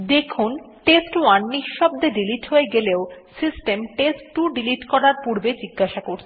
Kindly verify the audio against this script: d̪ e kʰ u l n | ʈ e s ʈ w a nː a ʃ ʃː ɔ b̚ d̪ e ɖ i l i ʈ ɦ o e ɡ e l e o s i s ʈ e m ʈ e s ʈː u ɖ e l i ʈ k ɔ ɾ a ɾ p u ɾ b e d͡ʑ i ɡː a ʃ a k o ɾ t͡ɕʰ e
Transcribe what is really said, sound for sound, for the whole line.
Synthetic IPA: d̪ e kʰ u n | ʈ e s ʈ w a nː i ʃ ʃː ɔ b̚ d̪ e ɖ i l i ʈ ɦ o e ɡ e l e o s i s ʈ e m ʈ e s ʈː u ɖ i l i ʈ k ɔ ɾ a ɾ p u ɾ b e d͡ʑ i ɡː a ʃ a k o ɾ t͡ɕʰ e